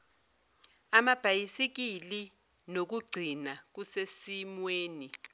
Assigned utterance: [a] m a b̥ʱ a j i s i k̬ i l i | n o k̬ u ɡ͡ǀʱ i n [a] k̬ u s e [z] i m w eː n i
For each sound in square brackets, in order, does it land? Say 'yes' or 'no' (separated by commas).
yes, yes, no